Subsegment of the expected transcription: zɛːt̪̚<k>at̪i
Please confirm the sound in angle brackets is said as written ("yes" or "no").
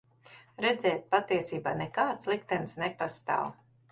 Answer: no